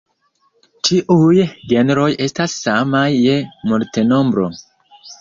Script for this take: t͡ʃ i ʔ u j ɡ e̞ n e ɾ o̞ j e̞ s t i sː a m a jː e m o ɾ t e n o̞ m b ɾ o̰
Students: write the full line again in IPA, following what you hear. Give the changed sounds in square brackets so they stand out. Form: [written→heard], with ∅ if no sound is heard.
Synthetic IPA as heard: t͡ʃ i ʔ u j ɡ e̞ n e ɾ o̞ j e̞ s t [i→a] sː a m a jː e m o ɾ t e n o̞ m b ɾ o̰